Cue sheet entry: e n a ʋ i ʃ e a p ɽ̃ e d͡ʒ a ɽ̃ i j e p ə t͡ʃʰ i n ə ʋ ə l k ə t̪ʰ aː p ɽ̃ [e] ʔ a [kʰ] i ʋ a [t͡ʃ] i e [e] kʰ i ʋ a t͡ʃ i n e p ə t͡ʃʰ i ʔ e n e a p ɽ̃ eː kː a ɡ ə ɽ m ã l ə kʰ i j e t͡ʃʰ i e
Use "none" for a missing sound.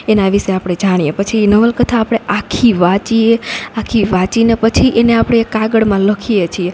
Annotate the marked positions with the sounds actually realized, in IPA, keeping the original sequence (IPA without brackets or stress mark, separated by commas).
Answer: e, kʰ, t͡ʃ, a